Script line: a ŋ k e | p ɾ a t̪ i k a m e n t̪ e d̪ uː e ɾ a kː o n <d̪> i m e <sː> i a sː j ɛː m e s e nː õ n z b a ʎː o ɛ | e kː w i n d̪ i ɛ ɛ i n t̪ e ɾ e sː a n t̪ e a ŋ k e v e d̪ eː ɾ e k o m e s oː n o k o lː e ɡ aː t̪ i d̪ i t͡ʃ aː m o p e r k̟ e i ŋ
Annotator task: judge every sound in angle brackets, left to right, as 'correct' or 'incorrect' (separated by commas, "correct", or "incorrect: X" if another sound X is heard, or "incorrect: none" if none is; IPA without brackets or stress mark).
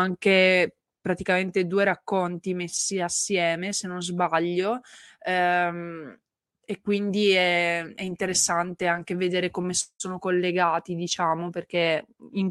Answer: incorrect: t̪, correct